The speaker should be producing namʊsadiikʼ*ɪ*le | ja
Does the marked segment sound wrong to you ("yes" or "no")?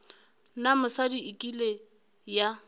yes